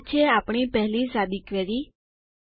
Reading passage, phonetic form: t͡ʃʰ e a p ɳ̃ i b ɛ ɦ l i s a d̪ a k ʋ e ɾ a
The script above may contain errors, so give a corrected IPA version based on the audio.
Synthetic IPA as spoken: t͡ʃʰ e a p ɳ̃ i p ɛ ɦ l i s a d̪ i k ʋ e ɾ i